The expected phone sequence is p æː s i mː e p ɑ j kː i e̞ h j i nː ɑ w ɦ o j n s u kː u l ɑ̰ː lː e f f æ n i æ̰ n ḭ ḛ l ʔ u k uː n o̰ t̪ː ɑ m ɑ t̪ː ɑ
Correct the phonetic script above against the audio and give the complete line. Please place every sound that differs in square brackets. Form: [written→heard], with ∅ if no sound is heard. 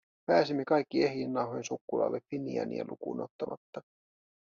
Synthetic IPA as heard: p æː s i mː e [p→k] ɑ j kː i e̞ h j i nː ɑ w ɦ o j n s u kː u l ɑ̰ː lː e f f [æ→i] n i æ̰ n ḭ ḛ l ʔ u k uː n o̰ t̪ː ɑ m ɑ t̪ː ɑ